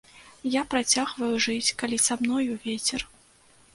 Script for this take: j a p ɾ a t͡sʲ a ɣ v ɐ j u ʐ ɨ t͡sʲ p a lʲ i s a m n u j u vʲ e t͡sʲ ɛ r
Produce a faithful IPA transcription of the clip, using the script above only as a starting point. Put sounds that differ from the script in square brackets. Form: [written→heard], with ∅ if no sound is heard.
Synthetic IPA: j a p ɾ a t͡sʲ a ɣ v ɐ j u ʐ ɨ t͡sʲ [p→k] a lʲ i s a m n [u→ɔ] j u vʲ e t͡sʲ ɛ r